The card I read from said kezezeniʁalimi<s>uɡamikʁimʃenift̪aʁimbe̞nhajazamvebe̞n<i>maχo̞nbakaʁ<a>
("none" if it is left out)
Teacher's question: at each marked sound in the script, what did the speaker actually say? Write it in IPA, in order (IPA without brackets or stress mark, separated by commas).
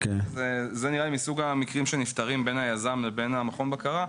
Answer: s, a, a